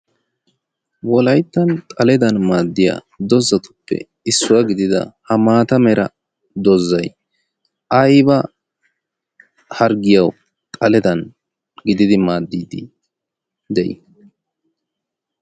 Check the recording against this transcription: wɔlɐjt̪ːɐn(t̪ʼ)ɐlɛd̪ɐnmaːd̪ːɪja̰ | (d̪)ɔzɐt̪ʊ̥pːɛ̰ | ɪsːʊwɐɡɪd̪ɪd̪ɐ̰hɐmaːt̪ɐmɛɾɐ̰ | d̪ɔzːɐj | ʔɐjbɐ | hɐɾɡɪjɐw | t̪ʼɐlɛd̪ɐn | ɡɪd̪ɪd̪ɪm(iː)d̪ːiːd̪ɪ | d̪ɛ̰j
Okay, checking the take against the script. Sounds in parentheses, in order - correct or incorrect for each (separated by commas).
correct, correct, incorrect